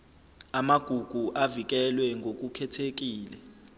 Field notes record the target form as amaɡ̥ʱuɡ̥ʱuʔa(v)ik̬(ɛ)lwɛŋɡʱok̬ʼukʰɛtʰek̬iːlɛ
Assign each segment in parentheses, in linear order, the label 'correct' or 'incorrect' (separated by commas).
correct, correct